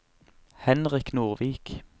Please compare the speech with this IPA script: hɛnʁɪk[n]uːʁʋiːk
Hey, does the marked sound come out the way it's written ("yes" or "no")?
yes